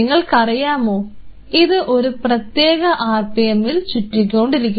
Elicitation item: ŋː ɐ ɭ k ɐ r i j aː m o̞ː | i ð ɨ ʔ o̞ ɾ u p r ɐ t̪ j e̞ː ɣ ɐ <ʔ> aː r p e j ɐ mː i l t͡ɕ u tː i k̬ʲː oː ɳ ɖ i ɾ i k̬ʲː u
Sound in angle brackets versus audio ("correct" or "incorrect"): correct